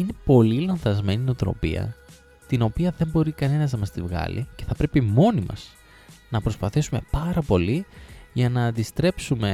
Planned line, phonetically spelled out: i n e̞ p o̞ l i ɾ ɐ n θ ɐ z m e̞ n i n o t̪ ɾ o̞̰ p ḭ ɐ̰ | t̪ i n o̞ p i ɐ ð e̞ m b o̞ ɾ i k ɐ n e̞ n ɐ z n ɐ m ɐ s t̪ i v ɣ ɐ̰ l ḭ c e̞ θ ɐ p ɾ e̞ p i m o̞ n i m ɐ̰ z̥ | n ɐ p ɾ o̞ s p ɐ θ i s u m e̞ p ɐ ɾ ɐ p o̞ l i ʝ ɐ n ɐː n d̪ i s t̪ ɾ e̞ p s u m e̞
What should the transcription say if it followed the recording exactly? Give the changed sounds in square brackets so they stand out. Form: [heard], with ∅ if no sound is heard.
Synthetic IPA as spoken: i n e̞ p o̞ l i [l] ɐ n θ ɐ z m e̞ n i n o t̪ ɾ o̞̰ p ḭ ɐ̰ | t̪ i n o̞ p i ɐ ð e̞ m b o̞ ɾ i k ɐ n e̞ n ɐ z n ɐ m ɐ s t̪ i v ɣ ɐ̰ l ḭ c e̞ θ ɐ p ɾ e̞ p i m o̞ n i m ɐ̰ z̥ | n ɐ p ɾ o̞ s p ɐ θ i s u m e̞ p ɐ ɾ ɐ p o̞ l i ʝ ɐ n ɐː n d̪ i s t̪ ɾ e̞ p s u m e̞